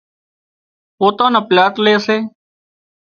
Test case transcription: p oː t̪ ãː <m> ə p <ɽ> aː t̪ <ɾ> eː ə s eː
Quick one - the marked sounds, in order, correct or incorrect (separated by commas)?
incorrect, incorrect, incorrect